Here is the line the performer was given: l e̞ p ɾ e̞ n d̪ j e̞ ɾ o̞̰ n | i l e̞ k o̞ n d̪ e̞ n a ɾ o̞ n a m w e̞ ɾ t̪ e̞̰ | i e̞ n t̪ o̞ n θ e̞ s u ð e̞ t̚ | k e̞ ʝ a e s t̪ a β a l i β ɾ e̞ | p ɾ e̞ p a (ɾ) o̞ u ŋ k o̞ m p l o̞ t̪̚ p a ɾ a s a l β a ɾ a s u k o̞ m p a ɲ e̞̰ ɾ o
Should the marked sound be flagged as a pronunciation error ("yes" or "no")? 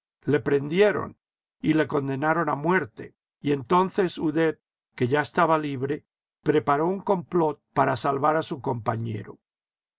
no